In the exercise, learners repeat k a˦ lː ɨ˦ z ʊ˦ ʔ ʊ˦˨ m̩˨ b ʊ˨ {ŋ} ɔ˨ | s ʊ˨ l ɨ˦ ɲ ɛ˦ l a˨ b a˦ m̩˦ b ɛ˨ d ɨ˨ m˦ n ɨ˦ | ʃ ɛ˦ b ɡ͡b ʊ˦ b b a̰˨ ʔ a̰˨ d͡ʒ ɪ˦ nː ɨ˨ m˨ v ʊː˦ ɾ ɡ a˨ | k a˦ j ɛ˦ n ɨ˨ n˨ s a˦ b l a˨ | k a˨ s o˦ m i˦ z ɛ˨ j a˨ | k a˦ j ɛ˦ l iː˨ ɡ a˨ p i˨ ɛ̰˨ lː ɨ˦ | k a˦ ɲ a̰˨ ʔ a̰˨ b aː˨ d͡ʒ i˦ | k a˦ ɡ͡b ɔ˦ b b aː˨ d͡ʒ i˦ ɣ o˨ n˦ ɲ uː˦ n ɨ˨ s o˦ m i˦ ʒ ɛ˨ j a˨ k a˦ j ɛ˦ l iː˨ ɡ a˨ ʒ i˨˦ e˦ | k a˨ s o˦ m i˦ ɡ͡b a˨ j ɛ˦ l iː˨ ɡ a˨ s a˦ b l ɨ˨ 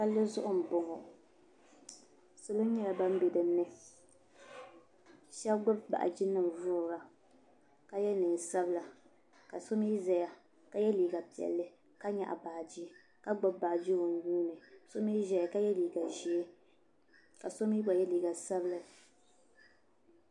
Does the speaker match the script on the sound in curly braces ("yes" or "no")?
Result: yes